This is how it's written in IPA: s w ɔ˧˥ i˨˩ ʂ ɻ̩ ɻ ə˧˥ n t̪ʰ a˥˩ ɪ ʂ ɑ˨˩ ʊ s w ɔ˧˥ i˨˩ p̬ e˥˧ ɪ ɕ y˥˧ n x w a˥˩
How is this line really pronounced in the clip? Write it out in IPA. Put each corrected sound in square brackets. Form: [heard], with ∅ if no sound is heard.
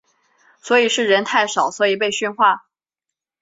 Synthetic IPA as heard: s w ɔ˧˥ i˨˩ ʂ ɻ̩ ɻ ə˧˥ n t̪ʰ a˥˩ ɪ ʂ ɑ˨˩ ʊ s w ɔ˧˥ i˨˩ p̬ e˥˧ ɪ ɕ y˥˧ n x w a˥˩

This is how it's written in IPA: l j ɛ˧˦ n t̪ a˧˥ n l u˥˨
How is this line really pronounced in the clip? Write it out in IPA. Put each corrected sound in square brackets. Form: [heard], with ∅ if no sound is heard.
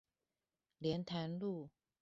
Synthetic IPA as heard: l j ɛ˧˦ n [t̪ʰ] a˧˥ n l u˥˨

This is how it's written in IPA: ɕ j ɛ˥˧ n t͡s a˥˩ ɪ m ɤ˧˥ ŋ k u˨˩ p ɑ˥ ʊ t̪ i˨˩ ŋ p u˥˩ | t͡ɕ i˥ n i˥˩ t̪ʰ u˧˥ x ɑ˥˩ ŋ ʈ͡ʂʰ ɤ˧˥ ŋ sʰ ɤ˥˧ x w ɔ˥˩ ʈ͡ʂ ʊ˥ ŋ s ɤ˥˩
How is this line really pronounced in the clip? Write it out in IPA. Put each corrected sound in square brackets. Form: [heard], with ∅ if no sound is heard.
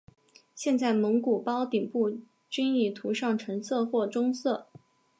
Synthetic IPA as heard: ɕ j ɛ˥˧ n t͡s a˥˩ ɪ m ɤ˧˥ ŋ k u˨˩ p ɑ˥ ʊ t̪ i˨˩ ŋ p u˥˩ | t͡ɕ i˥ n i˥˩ t̪ʰ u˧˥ [ʂ] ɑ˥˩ ŋ ʈ͡ʂʰ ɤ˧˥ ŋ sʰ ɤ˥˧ x w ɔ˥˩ ʈ͡ʂ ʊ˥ ŋ s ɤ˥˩

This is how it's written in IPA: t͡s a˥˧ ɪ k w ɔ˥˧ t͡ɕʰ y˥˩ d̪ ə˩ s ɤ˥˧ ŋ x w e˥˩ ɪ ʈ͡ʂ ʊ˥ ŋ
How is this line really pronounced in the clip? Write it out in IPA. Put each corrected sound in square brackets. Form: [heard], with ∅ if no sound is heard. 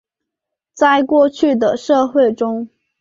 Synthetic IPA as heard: t͡s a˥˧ ɪ k w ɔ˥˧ t͡ɕʰ y˥˩ d̪ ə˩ [ʂ] ɤ˥˧ [∅] x w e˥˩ ɪ ʈ͡ʂ ʊ˥ ŋ

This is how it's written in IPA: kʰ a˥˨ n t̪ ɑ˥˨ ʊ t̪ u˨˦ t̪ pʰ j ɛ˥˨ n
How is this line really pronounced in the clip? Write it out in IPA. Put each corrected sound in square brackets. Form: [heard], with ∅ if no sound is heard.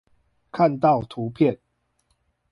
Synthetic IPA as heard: kʰ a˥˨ n t̪ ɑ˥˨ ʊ [t̪ʰ] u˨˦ [∅] pʰ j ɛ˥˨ n

